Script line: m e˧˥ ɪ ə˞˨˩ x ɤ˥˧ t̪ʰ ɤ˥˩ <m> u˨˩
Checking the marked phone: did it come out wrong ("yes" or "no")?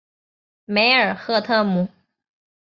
no